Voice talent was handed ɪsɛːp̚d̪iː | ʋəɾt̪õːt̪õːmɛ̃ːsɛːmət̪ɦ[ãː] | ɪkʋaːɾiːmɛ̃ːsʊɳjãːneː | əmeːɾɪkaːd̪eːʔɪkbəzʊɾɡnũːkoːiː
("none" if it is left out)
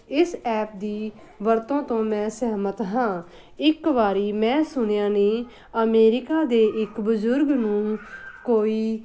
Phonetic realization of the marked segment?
ãː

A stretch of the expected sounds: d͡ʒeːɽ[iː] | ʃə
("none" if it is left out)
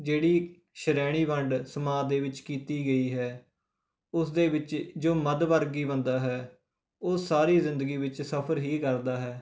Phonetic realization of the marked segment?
iː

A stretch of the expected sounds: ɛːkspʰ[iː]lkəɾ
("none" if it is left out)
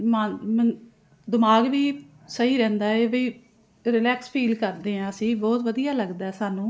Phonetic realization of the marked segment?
iː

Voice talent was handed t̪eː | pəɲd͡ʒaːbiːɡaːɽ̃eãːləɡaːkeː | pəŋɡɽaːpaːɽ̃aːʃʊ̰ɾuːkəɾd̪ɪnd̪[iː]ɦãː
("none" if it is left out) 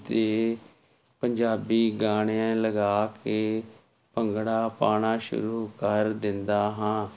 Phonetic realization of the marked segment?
aː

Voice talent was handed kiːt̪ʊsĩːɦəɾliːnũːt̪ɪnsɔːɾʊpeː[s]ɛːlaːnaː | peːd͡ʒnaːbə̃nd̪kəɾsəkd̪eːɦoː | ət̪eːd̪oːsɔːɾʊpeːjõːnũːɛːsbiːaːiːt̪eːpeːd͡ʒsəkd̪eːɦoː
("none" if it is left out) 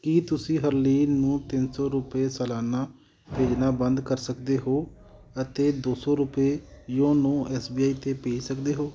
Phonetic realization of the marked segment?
s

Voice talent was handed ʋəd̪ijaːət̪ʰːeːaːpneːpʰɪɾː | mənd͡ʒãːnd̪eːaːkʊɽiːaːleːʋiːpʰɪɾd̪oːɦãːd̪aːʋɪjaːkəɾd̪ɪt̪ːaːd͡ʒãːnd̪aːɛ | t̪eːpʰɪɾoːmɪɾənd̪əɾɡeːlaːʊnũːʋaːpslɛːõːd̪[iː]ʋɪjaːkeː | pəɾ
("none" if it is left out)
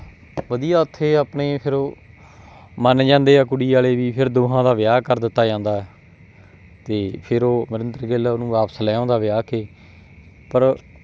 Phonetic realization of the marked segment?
aː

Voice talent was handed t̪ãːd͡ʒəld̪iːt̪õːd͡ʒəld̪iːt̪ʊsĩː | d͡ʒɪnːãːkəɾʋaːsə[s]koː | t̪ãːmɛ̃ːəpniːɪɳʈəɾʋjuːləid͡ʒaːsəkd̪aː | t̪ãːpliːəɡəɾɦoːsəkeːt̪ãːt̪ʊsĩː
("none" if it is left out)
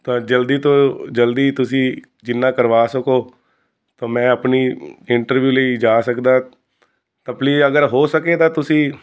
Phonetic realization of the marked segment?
none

